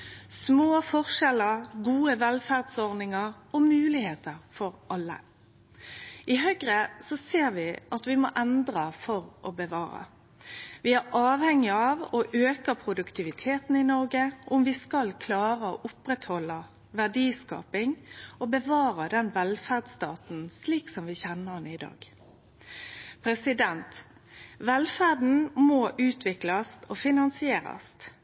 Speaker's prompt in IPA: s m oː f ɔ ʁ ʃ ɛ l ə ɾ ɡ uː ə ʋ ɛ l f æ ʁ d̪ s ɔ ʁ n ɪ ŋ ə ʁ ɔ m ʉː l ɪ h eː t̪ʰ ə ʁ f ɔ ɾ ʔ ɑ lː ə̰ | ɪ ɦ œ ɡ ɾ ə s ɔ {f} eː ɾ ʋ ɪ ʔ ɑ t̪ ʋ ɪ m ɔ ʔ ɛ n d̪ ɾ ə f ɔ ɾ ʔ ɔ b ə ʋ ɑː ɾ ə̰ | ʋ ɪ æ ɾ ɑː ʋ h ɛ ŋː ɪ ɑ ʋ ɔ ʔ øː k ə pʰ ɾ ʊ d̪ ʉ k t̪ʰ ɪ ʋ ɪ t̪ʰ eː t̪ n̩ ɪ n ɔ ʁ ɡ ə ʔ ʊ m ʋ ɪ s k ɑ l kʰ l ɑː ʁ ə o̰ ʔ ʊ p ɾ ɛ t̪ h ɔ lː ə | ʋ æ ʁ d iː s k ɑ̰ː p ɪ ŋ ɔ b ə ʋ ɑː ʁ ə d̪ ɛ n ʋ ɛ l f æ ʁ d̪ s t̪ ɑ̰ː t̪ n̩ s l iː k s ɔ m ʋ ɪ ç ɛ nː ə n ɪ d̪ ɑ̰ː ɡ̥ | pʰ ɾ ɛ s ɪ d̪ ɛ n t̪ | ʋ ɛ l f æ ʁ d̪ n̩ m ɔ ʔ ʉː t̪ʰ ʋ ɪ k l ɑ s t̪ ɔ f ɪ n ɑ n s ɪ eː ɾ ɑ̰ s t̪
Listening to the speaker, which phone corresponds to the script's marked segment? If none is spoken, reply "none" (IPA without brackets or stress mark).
s